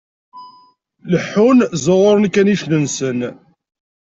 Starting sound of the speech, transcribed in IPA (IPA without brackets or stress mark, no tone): l